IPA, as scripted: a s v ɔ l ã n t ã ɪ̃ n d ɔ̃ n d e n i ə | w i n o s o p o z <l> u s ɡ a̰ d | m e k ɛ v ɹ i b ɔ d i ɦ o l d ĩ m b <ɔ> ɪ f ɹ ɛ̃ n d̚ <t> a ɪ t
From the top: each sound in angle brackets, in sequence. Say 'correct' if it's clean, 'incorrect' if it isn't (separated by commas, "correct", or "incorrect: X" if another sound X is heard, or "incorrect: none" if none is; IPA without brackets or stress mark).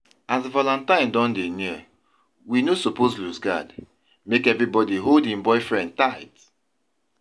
correct, correct, correct